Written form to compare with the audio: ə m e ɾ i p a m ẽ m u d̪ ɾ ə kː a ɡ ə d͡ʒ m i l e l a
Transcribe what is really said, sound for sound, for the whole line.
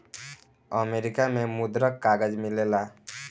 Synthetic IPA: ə m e ɾ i k a m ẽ m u d̪ ɾ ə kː a ɡ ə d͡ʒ m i l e l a